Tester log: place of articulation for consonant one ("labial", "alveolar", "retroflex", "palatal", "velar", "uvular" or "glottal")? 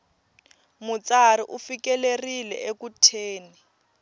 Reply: labial